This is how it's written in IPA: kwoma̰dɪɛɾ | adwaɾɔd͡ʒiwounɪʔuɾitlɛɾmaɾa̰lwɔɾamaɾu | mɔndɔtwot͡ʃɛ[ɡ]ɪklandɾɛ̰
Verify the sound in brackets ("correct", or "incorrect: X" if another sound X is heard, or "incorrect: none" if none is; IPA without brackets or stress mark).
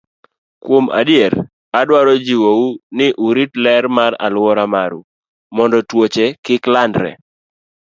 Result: incorrect: k